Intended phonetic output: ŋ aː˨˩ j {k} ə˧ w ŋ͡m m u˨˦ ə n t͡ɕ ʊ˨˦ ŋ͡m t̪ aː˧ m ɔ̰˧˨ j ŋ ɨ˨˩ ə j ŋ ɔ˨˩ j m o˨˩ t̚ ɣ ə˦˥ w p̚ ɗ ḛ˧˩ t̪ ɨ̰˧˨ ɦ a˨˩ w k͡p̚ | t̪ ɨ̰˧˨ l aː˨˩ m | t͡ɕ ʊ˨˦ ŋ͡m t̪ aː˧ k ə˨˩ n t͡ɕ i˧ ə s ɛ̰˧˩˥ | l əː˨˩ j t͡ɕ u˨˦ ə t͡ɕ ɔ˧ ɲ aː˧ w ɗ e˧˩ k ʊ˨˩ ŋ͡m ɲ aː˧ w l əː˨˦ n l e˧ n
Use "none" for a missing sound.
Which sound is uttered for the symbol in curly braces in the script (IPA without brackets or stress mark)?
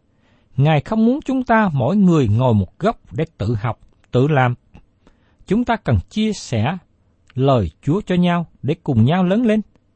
x